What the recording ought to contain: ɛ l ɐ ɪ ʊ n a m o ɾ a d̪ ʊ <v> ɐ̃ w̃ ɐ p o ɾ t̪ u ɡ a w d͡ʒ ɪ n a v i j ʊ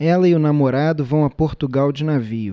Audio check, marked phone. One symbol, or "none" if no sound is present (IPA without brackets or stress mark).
v